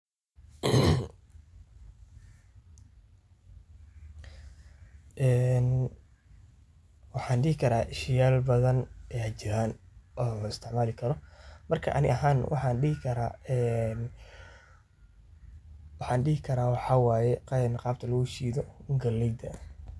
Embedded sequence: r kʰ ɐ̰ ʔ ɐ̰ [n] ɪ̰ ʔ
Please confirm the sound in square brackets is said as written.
yes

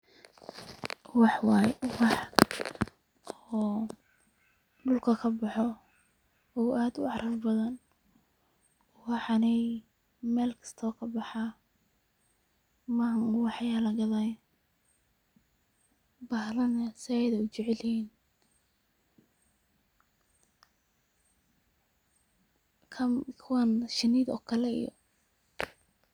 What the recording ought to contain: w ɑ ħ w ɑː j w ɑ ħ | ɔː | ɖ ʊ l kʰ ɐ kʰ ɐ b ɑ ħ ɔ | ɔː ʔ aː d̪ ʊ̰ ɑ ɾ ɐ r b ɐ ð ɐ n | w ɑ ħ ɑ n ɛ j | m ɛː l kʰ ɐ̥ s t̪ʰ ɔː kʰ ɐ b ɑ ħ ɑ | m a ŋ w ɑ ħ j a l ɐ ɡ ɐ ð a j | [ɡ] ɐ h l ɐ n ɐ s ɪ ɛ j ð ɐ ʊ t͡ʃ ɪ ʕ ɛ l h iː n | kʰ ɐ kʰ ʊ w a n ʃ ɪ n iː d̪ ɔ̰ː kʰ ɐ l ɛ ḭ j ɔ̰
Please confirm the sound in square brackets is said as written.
no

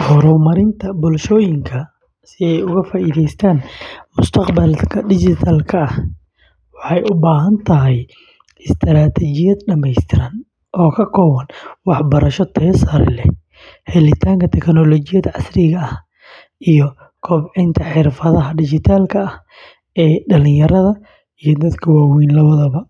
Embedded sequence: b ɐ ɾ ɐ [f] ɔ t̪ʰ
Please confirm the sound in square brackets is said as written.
no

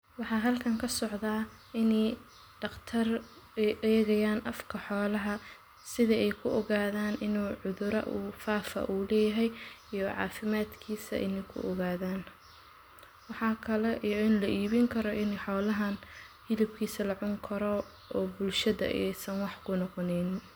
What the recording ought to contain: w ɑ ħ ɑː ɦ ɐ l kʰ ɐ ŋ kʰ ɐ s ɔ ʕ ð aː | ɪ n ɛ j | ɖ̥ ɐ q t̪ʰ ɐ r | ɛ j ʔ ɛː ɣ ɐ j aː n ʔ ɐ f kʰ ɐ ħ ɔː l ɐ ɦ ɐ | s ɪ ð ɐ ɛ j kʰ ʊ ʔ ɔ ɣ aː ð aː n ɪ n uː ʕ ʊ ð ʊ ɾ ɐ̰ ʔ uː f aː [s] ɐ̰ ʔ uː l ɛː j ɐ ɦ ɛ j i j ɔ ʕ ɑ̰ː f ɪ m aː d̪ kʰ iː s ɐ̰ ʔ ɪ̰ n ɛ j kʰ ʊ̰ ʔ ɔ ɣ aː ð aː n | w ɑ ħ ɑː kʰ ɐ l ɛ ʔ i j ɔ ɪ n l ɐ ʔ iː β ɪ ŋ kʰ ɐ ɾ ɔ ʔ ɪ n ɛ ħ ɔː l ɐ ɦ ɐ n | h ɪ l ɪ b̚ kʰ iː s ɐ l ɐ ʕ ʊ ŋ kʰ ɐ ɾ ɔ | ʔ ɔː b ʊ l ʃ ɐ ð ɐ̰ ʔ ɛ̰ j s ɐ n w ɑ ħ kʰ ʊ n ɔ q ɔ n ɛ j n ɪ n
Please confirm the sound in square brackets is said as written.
no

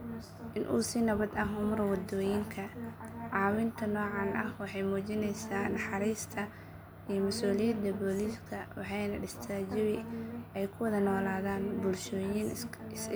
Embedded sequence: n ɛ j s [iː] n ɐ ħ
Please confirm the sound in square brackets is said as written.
no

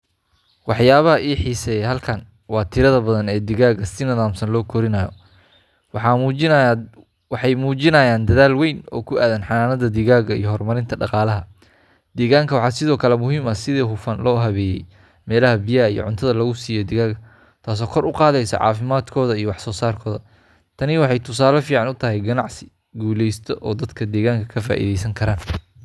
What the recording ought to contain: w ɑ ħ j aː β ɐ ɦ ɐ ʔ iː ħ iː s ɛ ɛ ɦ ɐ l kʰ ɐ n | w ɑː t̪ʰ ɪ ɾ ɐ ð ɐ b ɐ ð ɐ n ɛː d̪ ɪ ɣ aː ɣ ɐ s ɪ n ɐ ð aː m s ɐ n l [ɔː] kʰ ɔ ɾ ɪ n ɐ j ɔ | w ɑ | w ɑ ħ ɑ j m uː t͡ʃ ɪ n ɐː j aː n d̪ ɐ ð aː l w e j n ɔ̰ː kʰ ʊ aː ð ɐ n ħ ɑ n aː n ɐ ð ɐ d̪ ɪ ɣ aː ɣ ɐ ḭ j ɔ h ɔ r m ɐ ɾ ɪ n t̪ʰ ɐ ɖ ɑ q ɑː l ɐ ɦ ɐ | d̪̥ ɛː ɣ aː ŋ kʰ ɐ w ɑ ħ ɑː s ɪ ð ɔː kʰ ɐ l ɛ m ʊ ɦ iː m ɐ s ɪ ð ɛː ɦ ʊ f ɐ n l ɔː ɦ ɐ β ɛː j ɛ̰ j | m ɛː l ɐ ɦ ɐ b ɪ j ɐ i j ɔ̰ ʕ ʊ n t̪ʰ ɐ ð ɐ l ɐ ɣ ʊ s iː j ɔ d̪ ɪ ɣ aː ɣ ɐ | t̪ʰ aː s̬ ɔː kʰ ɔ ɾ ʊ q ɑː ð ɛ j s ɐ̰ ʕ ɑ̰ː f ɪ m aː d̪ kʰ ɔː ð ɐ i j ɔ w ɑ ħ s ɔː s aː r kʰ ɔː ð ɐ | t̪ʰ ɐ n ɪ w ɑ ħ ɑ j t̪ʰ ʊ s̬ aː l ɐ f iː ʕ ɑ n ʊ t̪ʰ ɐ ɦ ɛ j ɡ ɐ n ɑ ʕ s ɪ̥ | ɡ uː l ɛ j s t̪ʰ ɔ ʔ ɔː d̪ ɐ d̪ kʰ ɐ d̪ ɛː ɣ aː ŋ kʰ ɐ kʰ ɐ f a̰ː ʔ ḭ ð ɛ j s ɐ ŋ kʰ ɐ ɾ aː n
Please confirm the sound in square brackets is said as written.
yes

